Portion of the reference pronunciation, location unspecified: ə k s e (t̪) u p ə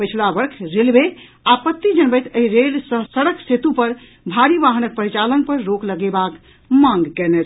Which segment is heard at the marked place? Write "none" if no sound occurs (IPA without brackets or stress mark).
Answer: t̪